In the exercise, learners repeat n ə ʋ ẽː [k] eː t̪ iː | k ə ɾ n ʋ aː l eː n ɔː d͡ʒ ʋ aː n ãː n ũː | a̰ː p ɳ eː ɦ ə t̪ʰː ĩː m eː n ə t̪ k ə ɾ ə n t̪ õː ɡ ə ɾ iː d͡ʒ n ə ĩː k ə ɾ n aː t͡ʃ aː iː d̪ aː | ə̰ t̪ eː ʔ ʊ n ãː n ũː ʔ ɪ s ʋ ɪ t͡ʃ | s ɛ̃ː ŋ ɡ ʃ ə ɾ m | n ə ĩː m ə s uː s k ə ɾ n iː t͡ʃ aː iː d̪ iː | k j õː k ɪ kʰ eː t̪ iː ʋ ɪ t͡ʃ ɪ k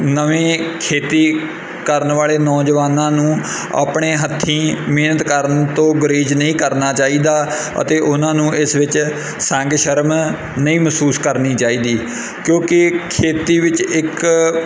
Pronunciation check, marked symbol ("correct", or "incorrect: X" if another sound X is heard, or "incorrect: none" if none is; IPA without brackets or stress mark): incorrect: kʰ